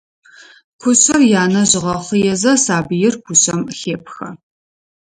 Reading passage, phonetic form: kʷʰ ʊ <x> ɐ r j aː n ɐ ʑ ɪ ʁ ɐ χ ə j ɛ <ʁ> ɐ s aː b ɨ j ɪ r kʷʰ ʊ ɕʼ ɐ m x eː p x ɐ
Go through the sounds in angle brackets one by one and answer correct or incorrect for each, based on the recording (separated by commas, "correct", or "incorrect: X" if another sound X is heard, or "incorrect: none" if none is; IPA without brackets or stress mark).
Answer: incorrect: ɕ, incorrect: z